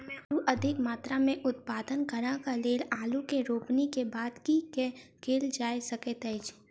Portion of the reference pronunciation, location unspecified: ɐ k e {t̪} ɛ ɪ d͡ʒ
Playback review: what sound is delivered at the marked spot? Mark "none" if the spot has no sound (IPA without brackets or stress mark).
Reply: t̪